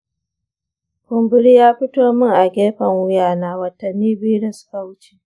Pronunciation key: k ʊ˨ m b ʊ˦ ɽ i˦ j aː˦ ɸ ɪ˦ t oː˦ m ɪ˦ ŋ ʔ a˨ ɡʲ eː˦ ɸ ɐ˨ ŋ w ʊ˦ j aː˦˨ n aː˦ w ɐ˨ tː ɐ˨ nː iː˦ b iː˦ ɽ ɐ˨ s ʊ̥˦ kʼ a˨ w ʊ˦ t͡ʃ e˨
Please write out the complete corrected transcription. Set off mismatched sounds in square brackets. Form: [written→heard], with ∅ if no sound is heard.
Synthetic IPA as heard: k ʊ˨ m b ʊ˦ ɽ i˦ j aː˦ ɸ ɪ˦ t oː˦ m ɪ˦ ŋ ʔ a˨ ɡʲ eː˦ ɸ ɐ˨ ŋ w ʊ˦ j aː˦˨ n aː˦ w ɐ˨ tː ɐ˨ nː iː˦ b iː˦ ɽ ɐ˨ s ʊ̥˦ [kʼ→k] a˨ w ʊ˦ t͡ʃ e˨

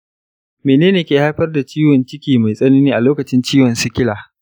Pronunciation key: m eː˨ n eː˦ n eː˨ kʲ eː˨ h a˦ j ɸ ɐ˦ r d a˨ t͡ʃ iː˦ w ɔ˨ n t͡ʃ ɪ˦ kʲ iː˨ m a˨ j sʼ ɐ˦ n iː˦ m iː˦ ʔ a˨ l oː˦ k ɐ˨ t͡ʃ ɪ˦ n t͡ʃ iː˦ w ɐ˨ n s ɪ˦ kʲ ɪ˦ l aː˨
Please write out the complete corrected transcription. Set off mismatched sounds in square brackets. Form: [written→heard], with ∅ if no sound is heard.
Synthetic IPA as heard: m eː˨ n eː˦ n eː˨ kʲ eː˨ h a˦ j ɸ ɐ˦ r d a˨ t͡ʃ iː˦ w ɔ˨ n t͡ʃ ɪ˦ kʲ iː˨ m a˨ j sʼ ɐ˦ n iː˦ [m→n] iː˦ ʔ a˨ l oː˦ k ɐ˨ t͡ʃ ɪ˦ n t͡ʃ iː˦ w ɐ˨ n s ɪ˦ kʲ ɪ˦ l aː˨

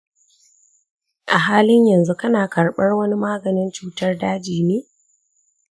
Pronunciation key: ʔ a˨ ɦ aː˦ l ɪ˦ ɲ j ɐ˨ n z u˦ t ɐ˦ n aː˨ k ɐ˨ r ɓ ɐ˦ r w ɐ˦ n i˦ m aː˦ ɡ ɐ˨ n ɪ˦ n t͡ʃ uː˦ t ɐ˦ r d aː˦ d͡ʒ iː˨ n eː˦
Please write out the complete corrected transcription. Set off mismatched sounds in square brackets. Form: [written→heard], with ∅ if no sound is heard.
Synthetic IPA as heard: ʔ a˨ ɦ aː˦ l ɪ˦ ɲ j ɐ˨ n z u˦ [t→k] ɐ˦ n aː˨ k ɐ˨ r ɓ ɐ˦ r w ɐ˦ n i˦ m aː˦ ɡ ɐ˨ n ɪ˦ n t͡ʃ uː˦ t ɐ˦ r d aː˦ d͡ʒ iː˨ n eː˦

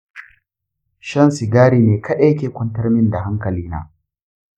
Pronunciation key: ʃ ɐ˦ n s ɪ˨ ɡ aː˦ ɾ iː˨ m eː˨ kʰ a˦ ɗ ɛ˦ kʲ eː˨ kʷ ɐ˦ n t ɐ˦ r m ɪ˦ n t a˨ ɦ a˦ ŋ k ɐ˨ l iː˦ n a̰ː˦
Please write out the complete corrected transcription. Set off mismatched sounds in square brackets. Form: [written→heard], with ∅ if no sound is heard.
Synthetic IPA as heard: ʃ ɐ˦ n s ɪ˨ ɡ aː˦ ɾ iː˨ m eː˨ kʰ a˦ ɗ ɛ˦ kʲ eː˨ kʷ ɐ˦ n t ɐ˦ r m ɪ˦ n [t→d] a˨ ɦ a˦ ŋ k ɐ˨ l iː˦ n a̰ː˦

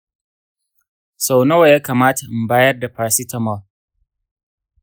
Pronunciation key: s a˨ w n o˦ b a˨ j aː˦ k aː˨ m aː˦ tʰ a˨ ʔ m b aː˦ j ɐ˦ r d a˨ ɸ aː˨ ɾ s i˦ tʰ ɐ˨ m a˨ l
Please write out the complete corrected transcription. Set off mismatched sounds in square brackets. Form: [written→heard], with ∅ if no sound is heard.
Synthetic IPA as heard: s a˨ w n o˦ [b→w] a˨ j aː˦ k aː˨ m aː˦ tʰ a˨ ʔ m b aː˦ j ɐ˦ r d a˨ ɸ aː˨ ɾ s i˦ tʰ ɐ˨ m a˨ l

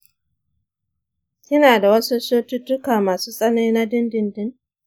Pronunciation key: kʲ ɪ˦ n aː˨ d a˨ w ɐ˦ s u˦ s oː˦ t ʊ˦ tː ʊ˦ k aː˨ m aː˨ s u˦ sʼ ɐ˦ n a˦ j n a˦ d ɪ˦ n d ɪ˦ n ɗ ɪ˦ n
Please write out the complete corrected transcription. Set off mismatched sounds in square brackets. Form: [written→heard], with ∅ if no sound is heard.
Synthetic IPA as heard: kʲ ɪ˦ n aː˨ d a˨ w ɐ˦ s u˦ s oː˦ t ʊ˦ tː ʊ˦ k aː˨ m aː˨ s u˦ sʼ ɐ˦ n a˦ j n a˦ d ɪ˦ n d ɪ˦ n [ɗ→d] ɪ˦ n

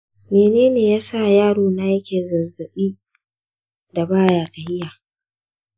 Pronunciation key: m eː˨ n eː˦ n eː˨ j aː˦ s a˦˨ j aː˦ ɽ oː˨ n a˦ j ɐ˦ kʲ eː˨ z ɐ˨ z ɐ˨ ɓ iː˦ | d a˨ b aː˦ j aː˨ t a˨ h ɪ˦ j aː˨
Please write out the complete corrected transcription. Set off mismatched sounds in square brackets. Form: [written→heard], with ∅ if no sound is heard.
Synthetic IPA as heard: m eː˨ n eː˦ n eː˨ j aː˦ s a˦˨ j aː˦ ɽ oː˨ n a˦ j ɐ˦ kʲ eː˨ z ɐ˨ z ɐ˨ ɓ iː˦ | d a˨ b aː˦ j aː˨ t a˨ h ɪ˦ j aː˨

